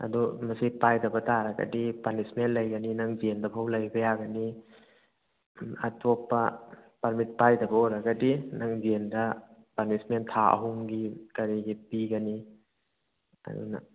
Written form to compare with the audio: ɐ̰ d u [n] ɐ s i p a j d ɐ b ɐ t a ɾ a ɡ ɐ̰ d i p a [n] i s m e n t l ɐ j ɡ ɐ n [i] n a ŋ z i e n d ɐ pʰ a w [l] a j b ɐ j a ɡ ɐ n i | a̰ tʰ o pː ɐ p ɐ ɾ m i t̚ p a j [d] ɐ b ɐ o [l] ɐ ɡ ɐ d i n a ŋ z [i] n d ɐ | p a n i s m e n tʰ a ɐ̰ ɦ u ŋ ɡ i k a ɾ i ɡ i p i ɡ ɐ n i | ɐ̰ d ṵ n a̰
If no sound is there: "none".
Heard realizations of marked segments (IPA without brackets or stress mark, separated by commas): m, n, i, l, d, ɾ, e